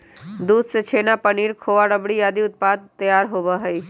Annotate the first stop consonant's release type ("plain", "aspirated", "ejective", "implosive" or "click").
plain